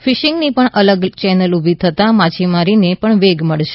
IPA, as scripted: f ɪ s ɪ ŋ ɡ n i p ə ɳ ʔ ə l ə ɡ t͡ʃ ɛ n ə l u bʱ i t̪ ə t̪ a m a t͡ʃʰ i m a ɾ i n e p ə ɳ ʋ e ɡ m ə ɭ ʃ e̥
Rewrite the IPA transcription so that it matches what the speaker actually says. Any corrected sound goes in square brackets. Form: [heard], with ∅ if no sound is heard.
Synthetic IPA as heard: f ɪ [ʃ] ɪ ŋ ɡ n i p ə ɳ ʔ ə l ə ɡ t͡ʃ ɛ n ə l u bʱ i [t̪ʰ] ə t̪ a m a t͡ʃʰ i m a ɾ i n e p ə ɳ ʋ e ɡ m ə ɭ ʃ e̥